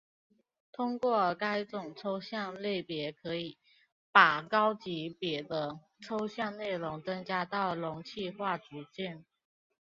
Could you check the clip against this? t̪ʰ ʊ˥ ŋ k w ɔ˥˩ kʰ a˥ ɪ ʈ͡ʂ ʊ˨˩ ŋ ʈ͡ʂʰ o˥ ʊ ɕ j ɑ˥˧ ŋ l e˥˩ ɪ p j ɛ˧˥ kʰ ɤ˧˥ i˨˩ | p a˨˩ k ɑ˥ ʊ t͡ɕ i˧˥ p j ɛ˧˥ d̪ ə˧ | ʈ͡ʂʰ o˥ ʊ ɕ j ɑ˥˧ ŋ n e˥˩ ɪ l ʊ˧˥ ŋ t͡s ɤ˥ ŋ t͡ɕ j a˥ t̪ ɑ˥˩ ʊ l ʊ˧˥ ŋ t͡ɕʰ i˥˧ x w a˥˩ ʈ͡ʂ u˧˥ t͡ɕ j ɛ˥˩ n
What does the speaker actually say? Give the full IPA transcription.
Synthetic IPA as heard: t̪ʰ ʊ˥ ŋ k w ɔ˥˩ k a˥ ɪ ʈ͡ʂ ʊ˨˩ ŋ ʈ͡ʂʰ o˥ ʊ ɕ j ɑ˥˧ ŋ l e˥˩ ɪ p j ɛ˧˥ kʰ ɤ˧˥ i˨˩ | p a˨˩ k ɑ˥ ʊ t͡ɕ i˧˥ p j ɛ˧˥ d̪ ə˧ | ʈ͡ʂʰ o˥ ʊ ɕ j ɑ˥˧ ŋ n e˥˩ ɪ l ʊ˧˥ ŋ t͡s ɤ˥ ŋ t͡ɕ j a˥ t̪ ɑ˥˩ ʊ l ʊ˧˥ ŋ t͡ɕʰ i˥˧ x w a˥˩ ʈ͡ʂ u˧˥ t͡ɕ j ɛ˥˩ n